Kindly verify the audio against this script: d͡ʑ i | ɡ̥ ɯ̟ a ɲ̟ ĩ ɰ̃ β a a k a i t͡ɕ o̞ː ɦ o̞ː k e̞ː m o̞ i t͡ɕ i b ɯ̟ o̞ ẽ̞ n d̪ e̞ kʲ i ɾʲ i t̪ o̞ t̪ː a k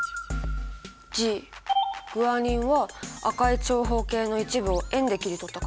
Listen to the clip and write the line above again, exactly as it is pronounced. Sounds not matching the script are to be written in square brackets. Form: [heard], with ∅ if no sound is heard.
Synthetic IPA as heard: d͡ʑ i | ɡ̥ ɯ̟ a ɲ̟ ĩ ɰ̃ β a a k a i t͡ɕ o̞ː ɦ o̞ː k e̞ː [n] o̞ i t͡ɕ i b ɯ̟ o̞ ẽ̞ n d̪ e̞ kʲ i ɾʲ i t̪ o̞ t̪ː a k